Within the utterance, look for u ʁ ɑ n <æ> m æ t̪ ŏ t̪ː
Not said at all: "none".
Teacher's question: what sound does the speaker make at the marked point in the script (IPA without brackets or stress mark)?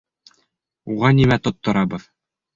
i